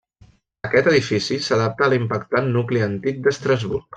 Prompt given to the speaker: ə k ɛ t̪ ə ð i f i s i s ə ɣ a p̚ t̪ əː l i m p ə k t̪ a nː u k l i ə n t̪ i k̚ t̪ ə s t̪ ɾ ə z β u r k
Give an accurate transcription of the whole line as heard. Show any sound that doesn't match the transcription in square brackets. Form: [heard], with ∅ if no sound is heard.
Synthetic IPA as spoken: ə k ɛ t̪ ə ð i f i s i s ə [ð] a p̚ t̪ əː l i m p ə k t̪ a nː u k l i ə n t̪ i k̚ [d̪] ə s t̪ ɾ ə z β u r k